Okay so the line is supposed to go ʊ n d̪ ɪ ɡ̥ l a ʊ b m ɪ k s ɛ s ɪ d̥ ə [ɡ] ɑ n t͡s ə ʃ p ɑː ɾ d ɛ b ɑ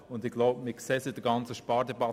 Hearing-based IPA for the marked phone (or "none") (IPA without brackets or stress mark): ɡ